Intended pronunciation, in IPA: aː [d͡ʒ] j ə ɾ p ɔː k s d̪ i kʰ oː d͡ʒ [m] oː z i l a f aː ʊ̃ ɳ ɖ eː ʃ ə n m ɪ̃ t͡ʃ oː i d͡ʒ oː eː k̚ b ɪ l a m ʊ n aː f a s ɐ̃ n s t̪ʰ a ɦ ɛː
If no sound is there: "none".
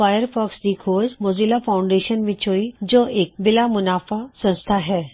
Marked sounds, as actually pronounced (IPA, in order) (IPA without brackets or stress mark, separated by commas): none, m